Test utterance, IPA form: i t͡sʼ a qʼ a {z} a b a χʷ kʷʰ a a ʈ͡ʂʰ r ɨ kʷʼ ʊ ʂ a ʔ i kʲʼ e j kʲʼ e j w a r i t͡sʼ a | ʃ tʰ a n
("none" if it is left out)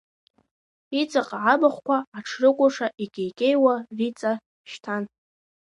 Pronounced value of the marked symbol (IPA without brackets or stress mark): ʕ